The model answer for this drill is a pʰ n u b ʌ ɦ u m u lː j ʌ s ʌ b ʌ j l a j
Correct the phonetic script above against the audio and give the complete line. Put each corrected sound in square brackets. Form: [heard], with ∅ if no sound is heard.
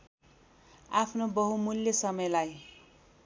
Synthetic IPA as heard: a pʰ n [o] b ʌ ɦ u m u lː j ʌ s ʌ [m] ʌ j l a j